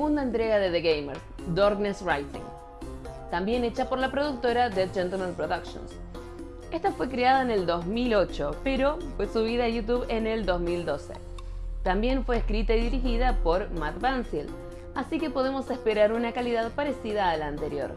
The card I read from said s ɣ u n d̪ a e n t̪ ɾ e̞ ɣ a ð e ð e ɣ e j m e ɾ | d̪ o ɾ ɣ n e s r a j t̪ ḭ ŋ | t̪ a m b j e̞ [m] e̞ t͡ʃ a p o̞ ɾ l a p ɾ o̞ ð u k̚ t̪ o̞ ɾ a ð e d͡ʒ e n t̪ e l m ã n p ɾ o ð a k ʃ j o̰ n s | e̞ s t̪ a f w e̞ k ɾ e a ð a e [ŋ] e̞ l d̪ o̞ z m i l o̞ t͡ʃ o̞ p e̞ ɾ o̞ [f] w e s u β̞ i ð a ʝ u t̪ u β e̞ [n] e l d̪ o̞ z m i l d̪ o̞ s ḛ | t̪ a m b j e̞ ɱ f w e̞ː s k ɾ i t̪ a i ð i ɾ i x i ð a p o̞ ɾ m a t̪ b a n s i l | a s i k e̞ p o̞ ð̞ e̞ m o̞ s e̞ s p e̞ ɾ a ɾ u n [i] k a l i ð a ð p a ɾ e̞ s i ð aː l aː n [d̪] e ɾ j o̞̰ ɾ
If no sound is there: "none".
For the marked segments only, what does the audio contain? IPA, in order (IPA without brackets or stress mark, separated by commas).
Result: n, n, f, n, a, t̪